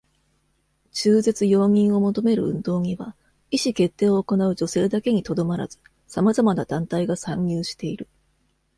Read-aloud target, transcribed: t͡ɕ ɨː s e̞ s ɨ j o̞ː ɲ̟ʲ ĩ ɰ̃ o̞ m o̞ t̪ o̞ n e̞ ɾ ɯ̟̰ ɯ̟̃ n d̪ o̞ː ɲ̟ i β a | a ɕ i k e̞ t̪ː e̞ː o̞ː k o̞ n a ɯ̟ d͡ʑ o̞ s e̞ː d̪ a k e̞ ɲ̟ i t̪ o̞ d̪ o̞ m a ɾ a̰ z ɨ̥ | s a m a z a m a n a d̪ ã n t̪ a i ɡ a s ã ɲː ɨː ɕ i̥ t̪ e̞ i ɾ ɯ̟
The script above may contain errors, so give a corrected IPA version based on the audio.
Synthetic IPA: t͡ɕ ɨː z e̞ t͡s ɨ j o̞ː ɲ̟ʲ ĩ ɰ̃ o̞ m o̞ t̪ o̞ m e̞ ɾ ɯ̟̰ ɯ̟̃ n d̪ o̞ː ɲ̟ i β a | i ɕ i k e̞ t̪ː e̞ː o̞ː k o̞ n a ɯ̟ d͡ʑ o̞ s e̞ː d̪ a k e̞ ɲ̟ i t̪ o̞ d̪ o̞ m a ɾ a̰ z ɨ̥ | s a m a z a m a n a d̪ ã n t̪ a i ɡ a s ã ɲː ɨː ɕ i̥ t̪ e̞ i ɾ ɯ̟